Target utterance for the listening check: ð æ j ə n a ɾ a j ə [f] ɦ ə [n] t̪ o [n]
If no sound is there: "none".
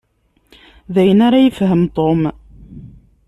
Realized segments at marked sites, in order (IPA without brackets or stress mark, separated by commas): f, m, m